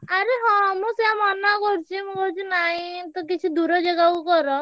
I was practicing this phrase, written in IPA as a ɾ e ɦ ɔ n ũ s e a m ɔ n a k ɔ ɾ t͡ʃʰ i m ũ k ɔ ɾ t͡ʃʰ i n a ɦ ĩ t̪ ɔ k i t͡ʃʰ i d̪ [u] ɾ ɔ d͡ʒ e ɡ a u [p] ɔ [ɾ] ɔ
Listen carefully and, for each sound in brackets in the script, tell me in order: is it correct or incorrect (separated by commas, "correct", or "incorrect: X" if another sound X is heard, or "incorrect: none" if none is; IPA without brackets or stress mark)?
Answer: correct, incorrect: k, correct